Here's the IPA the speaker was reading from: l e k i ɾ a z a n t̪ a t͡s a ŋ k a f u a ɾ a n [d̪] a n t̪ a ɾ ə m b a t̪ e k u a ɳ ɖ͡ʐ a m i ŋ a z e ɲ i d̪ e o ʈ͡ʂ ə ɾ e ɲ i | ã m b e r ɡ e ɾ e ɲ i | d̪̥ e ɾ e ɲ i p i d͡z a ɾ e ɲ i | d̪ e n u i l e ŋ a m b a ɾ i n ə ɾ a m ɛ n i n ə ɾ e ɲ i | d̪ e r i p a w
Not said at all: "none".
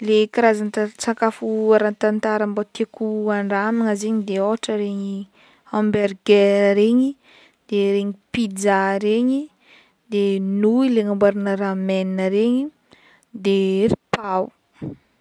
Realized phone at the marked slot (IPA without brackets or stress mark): t̪